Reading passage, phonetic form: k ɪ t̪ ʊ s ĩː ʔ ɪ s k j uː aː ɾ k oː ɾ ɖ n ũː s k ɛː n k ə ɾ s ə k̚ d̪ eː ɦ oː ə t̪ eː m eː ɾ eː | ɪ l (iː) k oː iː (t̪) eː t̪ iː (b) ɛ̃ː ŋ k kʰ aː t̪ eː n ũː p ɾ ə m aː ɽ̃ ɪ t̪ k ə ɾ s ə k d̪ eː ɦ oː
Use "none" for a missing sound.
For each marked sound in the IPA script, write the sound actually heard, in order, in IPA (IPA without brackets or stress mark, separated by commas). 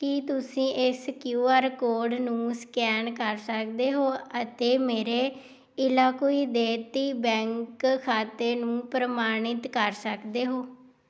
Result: aː, d̪, b